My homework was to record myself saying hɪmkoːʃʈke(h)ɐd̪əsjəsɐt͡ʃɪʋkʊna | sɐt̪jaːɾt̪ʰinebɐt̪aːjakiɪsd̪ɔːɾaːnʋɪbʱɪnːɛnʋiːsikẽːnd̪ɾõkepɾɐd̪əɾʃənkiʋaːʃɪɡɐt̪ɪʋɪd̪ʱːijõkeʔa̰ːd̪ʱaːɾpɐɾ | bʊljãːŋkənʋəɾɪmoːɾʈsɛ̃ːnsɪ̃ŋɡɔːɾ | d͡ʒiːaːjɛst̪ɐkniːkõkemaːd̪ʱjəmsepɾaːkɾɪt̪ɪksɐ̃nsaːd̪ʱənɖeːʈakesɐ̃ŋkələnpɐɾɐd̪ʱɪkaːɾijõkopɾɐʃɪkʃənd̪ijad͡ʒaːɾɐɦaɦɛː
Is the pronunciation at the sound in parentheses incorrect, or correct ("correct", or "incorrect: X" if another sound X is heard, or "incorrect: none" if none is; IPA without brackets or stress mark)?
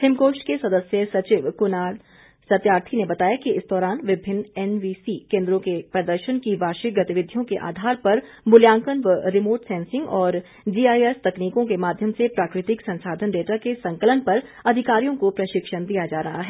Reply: incorrect: s